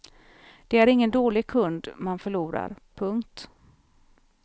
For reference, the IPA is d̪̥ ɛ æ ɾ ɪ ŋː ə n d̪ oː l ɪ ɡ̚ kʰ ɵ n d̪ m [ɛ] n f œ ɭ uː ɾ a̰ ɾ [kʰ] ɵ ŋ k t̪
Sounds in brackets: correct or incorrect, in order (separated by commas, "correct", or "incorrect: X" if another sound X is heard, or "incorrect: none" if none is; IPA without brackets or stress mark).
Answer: incorrect: a, incorrect: pʰ